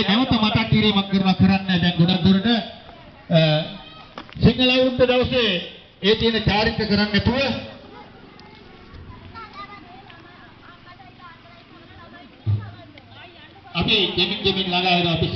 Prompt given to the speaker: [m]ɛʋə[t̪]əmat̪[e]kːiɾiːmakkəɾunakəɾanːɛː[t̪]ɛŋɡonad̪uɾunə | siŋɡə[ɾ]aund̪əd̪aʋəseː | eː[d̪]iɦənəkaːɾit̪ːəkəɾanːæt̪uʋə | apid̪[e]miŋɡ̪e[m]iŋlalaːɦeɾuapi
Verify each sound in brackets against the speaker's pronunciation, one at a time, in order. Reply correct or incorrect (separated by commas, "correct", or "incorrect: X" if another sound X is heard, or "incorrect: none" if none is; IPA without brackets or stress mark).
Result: incorrect: n, correct, incorrect: a, incorrect: d̪, incorrect: l, incorrect: t̪, correct, correct